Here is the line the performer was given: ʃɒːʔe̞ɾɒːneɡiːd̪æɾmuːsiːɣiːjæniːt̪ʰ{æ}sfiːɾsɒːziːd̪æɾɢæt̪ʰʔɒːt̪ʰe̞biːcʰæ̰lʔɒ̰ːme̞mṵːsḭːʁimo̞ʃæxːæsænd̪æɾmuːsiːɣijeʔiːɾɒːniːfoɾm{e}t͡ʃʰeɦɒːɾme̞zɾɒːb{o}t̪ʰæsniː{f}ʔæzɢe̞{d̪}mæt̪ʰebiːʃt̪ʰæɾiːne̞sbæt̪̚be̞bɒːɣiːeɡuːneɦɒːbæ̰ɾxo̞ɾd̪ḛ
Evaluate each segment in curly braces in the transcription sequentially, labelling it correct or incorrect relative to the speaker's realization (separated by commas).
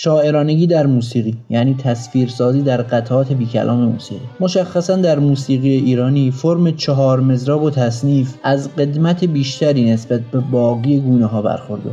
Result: correct, correct, correct, correct, correct